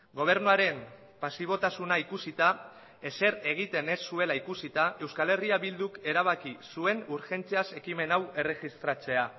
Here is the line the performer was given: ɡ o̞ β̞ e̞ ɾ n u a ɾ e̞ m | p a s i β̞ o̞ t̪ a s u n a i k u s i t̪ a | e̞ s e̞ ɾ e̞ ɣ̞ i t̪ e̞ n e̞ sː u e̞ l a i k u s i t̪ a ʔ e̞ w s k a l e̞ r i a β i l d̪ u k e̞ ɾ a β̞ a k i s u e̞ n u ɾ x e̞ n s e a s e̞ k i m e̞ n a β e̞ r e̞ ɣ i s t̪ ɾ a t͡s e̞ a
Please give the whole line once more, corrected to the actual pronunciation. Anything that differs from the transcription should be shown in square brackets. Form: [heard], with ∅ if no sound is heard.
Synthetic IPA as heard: ɡ o̞ β̞ e̞ ɾ n u a ɾ e̞ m | p a s i β̞ o̞ t̪ a s u n a i k u s i t̪ a | e̞ s e̞ ɾ e̞ ɣ̞ i t̪ e̞ n e̞ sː u e̞ l a i k u s i t̪ a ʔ e̞ w s k a l e̞ r i a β i l d̪ u k e̞ ɾ a β̞ a k i s u e̞ n u ɾ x e̞ n [t͡s] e a s e̞ k i m e̞ n a [w] e̞ r e̞ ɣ i s t̪ ɾ a t͡s e̞ a